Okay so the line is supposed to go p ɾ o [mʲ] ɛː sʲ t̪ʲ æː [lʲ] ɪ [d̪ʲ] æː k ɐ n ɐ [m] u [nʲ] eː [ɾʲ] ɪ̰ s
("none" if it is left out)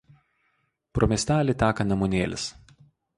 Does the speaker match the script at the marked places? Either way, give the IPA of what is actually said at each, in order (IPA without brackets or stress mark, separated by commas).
mʲ, lʲ, t̪ʲ, m, nʲ, lʲ